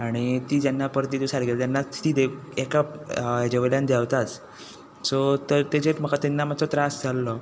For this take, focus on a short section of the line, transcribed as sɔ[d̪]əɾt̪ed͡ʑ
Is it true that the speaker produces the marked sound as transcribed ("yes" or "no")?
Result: no